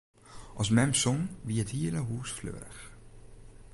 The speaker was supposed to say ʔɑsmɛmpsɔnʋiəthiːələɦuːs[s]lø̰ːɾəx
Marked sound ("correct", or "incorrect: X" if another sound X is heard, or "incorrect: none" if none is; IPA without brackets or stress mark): incorrect: f